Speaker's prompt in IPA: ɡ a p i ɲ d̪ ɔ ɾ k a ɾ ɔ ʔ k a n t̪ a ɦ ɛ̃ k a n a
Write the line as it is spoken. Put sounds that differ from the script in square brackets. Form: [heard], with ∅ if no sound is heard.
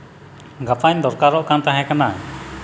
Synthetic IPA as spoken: ɡ a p [a] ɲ d̪ ɔ ɾ k a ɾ ɔ ʔ k a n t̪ a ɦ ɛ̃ k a n a